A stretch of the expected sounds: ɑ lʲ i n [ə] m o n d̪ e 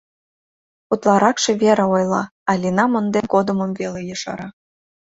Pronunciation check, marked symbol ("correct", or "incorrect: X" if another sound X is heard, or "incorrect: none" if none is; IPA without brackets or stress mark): incorrect: ɑ